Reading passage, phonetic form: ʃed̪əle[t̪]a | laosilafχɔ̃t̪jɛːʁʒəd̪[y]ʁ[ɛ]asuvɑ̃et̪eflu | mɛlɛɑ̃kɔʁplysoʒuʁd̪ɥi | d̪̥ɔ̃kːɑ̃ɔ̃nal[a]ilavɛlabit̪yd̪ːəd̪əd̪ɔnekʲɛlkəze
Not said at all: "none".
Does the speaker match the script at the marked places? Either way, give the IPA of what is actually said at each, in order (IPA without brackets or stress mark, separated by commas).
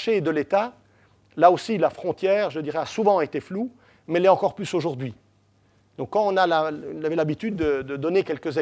t̪, i, ɛ, a